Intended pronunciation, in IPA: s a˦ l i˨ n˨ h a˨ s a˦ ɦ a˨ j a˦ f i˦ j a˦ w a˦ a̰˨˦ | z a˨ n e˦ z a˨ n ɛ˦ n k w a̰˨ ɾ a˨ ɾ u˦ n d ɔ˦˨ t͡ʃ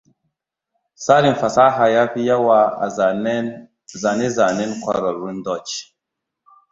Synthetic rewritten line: s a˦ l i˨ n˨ f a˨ s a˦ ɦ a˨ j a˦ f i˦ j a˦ w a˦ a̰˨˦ | z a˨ n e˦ z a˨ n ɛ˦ n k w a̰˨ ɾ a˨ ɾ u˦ n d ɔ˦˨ t͡ʃ